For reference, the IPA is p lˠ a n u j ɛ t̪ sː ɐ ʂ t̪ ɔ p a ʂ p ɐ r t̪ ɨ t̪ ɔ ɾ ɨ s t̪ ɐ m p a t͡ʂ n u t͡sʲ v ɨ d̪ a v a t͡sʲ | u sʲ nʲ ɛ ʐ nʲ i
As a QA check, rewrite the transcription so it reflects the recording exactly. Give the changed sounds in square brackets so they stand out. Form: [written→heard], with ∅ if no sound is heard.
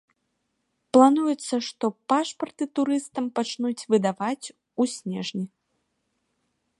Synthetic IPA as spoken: p lˠ a n u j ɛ t̪ sː ɐ ʂ t̪ ɔ p a ʂ p ɐ r t̪ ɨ t̪ [ɔ→u] ɾ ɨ s t̪ ɐ m p a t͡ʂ n u t͡sʲ v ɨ d̪ a v a t͡sʲ | u sʲ nʲ ɛ ʐ nʲ i